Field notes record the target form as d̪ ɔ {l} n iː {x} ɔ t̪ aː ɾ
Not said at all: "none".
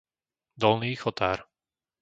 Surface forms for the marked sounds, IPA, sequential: l, x

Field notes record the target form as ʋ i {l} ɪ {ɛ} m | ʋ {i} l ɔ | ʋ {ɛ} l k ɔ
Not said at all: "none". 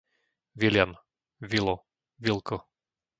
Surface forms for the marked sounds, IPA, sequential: l, a, i, i

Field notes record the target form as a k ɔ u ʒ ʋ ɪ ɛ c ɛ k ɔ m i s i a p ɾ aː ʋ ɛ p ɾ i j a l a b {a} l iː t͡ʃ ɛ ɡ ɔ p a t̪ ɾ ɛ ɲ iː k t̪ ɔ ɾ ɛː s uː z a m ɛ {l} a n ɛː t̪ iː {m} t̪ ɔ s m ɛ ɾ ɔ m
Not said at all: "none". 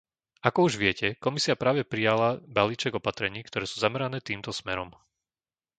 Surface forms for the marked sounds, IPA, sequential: a, ɾ, m

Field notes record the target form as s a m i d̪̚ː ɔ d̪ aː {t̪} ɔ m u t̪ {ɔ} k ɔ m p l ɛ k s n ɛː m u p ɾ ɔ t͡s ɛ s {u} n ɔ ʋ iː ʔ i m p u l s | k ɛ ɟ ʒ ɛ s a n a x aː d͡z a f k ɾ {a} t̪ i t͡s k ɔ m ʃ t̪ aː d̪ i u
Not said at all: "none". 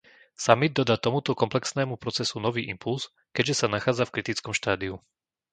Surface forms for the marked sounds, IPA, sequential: t̪, ɔ, u, i

